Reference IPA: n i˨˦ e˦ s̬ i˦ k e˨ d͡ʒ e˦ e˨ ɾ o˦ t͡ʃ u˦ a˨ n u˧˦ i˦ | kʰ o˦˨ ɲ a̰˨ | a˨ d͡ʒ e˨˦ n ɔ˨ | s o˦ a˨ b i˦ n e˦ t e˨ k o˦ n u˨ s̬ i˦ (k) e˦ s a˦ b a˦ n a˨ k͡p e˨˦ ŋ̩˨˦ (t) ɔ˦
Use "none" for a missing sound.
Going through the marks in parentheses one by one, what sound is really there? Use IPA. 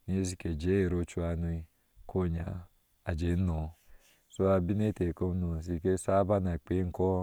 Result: k, k

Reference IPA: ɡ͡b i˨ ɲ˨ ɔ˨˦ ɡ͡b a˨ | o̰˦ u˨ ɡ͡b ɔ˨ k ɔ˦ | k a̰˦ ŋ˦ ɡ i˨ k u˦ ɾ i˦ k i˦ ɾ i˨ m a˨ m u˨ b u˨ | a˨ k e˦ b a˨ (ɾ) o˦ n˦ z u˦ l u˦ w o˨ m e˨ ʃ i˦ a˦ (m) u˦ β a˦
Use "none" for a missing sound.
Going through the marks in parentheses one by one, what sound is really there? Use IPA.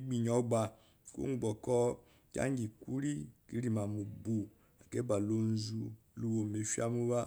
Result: l, m

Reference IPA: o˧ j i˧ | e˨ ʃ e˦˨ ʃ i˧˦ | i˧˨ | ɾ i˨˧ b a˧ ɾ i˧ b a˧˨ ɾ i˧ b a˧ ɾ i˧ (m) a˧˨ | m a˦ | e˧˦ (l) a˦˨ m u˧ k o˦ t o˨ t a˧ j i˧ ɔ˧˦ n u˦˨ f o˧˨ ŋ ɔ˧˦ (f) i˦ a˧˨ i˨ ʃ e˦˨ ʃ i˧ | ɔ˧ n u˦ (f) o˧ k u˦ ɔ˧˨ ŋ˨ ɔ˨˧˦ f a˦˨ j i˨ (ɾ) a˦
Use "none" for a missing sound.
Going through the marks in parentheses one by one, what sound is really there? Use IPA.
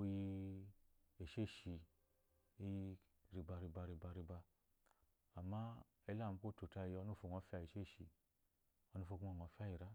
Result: b, l, f, f, ɾ

